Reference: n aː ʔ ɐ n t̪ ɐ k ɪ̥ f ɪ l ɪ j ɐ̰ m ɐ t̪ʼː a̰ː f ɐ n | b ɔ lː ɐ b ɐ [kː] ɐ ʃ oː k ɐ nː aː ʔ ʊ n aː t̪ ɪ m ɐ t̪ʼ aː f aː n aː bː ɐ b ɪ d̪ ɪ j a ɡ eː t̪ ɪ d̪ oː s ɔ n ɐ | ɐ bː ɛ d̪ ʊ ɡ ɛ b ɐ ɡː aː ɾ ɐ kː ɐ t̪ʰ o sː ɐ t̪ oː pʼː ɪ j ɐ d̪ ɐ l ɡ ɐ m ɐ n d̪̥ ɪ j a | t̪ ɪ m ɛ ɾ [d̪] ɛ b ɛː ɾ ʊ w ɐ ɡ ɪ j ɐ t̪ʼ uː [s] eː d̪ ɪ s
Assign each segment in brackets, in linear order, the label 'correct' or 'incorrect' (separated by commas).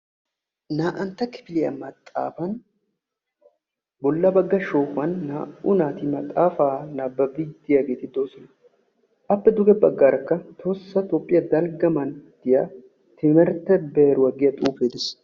incorrect, incorrect, incorrect